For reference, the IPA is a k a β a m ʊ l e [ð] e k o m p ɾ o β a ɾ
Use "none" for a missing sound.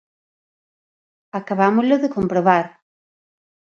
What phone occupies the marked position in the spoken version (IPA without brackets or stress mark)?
ð